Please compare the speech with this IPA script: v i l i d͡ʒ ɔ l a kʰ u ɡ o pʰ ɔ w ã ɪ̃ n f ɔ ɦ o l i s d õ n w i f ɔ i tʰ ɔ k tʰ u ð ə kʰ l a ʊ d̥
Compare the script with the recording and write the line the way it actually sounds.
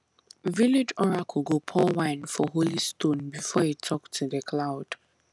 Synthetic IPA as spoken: v i l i d͡ʒ ɔ ɹ a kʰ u ɡ o pʰ ɔ w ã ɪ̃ n f ɔ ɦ o l i s t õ n b i f ɔ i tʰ ɔ k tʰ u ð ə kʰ l a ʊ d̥